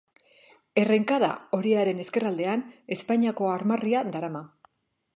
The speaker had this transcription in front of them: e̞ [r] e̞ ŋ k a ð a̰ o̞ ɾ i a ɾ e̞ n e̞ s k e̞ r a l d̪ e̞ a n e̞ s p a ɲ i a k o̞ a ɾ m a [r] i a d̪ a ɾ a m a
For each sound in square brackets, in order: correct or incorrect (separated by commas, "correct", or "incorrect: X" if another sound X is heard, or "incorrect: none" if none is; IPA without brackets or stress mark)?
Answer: correct, correct